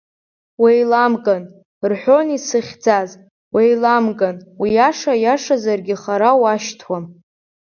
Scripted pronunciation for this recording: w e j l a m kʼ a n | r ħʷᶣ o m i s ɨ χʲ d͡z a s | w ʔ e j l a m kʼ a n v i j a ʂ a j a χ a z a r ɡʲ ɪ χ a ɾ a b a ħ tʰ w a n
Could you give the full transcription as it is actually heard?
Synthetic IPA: w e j l a m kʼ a n | r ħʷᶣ o n i s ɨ χʲ d͡z a z | w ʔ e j l a m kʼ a n w i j a ʂ a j a ʂ a z a r ɡʲ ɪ χ a ɾ a w a ʃ tʰ w a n

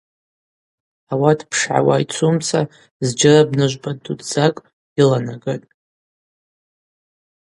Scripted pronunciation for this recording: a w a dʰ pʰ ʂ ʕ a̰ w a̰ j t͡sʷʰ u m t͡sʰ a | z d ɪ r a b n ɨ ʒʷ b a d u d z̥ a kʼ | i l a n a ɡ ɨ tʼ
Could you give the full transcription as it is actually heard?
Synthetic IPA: a w a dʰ pʰ ʂ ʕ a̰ w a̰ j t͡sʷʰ u m t͡sʰ a | z d͡ʒ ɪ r a b n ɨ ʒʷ b a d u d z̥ a kʼ | i l a n a ɡ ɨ tʼ

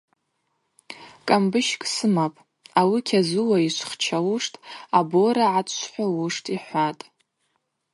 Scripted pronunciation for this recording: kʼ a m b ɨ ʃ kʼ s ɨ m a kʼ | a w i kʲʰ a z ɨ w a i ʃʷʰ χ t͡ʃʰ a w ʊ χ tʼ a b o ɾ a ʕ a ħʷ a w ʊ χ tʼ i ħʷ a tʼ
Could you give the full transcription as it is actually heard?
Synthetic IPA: kʼ a m b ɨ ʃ kʼ s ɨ m a pʼ | a w i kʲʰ a z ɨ w a i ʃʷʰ χ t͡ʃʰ a w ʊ ʂ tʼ a b o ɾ a ʕ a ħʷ a w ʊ ʂ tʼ i ħʷ a tʼ

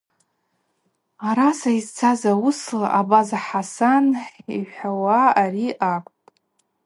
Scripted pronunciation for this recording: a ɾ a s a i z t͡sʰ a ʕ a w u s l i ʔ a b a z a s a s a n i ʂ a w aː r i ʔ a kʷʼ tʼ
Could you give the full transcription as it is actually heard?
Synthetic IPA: a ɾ a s a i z t͡sʰ a z a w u s l a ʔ a b a z a ħ a s a n i ħ a w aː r i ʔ a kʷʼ tʼ

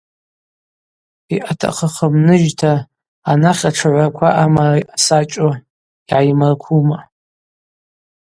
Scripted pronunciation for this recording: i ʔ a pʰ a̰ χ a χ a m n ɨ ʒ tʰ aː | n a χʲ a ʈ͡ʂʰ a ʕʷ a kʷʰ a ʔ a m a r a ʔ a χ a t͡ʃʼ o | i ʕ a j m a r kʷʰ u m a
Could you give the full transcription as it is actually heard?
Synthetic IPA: i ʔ a tʰ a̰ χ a χ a m n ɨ ʒ tʰ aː | n a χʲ a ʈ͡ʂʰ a ʕʷ a kʷʰ a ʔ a m a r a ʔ a s a t͡ʃʼ o | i ʕ a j m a r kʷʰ u m a

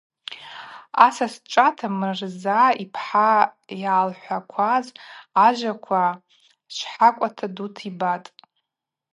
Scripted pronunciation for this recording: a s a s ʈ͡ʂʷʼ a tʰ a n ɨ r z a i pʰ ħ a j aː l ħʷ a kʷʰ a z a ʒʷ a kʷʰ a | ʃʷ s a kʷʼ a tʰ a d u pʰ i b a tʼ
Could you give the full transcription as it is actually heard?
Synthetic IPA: a s a s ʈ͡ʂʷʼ a tʰ a m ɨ r z a i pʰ ħ a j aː l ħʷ a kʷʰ a z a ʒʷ a kʷʰ a | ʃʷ ħ a kʷʼ a tʰ a d u tʰ i b a tʼ

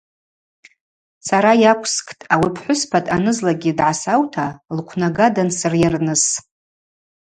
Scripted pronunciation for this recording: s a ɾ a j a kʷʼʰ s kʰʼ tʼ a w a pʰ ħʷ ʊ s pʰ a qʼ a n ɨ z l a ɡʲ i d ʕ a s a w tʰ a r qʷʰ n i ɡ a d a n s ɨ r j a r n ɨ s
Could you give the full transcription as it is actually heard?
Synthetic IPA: s a ɾ a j a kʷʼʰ s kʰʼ tʼ a w i pʰ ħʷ ʊ s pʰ a tʼ a n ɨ z l a ɡʲ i d ʕ a s a w tʰ a l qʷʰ n a ɡ a d a n s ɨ r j a r n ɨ s

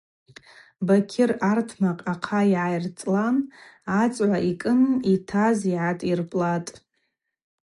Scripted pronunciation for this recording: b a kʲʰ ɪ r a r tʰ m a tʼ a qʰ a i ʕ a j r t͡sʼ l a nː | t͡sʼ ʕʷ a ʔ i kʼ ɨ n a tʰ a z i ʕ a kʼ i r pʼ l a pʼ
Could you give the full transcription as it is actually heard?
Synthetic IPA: b a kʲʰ ɪ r a r tʰ m a qʼ a qʰ a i ʕ a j r t͡sʼ l a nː | t͡sʼ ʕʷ a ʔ i kʼ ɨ n i tʰ a z i ʕ a tʼ i r pʼ l a tʼ

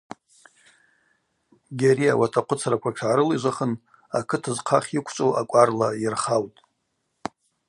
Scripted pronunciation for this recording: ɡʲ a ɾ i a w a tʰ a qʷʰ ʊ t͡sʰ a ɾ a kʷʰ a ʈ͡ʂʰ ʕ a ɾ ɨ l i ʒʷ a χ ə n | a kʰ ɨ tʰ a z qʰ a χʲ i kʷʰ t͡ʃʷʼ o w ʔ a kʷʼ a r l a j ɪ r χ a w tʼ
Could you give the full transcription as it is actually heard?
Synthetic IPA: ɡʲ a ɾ i a w a tʰ a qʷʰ ʊ t͡sʰ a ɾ a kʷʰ a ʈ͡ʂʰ ʕ a ɾ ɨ l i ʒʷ a χ ə n | a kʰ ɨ tʰ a z qʰ a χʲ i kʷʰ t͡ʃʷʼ o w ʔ a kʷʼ a r l a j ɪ r χ a w tʼ

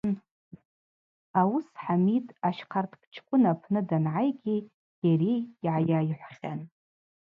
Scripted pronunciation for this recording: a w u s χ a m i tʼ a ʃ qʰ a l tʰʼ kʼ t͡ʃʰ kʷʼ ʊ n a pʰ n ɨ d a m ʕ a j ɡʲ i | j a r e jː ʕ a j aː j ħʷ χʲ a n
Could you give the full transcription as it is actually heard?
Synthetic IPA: a w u s ħ a m i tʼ a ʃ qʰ a r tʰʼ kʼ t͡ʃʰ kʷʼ ʊ n a pʰ n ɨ d a n ʕ a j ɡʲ i | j a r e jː ʕ a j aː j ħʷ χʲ a n

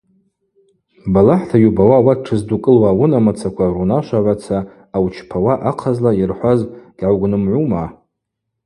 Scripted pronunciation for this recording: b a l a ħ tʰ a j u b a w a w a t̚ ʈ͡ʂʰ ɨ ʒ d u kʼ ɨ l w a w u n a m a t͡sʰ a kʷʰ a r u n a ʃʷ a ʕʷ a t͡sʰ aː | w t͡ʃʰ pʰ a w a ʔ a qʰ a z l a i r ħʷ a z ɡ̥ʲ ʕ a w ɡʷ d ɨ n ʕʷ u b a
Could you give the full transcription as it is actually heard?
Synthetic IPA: b a l a ħ tʰ a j u b a w a w a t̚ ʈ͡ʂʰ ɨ z d u kʼ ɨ l w a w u n a m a t͡sʰ a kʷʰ a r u n a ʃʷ a ʕʷ a t͡sʰ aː | w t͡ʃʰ pʰ a w a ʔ a qʰ a z l a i r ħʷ a z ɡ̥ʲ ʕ a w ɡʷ n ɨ m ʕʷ u m a

